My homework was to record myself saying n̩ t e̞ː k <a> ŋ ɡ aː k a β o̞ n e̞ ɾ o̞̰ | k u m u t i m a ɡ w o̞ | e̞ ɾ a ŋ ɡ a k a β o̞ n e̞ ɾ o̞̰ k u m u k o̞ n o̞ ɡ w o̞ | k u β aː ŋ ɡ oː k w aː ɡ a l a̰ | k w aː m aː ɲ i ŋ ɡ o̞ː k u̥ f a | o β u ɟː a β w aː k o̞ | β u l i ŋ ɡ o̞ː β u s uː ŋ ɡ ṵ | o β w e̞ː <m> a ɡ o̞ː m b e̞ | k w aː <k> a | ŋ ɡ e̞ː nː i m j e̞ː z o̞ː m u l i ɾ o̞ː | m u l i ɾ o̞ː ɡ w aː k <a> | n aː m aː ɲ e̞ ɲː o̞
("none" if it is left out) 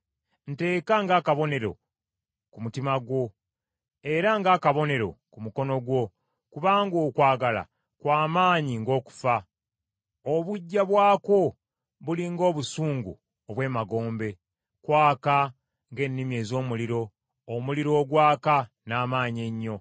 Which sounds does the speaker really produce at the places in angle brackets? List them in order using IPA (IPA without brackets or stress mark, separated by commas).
a, m, k, a